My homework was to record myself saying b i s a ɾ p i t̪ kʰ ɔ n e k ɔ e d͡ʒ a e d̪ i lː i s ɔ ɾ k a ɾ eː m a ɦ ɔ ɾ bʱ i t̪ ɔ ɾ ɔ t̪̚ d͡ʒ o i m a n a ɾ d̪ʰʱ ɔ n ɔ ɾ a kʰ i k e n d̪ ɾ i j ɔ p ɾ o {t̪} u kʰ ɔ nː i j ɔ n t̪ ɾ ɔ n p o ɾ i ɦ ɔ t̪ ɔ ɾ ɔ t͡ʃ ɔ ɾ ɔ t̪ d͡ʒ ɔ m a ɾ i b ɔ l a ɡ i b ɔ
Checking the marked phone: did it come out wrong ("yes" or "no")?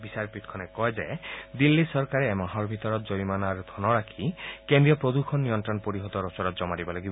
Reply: yes